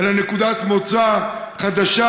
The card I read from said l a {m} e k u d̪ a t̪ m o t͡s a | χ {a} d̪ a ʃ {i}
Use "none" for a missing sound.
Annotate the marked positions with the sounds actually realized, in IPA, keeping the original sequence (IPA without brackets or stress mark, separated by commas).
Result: n, a, a